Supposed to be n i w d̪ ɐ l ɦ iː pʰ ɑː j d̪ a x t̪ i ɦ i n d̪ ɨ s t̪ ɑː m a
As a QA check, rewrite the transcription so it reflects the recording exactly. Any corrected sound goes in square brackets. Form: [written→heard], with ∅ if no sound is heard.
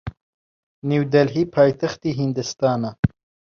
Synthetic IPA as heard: n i w d̪ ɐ l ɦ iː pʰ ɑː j [d̪→t̪] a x t̪ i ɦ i n d̪ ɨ s t̪ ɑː [m→n] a